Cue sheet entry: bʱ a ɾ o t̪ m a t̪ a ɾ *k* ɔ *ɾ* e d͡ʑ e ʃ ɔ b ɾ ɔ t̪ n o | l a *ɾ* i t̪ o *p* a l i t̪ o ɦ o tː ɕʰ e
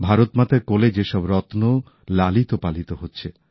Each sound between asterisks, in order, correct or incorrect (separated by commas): correct, incorrect, incorrect, correct